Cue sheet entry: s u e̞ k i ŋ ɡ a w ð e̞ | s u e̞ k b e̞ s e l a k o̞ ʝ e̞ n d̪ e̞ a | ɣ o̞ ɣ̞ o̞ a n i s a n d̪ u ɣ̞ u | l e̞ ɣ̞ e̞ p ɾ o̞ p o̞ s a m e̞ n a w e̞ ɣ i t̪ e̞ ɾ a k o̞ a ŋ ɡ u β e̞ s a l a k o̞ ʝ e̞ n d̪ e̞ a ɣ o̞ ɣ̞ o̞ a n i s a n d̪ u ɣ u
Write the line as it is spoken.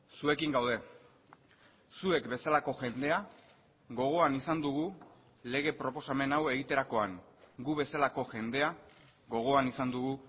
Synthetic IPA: s u e̞ k i ŋ ɡ a w ð e̞ | s u e̞ k b e̞ s a l a k o̞ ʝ e̞ n d̪ e̞ a | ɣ o̞ ɣ̞ o̞ a n i s a n d̪ u ɣ̞ u | l e̞ ɣ̞ e̞ p ɾ o̞ p o̞ s a m e̞ n a w e̞ ɣ i t̪ e̞ ɾ a k o̞ a ŋ ɡ u β e̞ s a l a k o̞ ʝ e̞ n d̪ e̞ a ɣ o̞ ɣ̞ o̞ a n i s a n d̪ u ɣ u